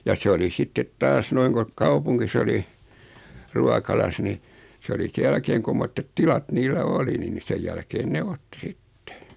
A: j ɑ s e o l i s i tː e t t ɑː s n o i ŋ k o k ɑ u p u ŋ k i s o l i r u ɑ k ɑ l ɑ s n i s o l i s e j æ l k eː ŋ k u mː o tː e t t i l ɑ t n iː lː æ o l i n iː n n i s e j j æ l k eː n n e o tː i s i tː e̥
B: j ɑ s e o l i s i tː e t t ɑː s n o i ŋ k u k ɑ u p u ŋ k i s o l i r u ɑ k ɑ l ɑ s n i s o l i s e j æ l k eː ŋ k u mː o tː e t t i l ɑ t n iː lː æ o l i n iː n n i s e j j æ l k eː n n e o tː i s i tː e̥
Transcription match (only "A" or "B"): A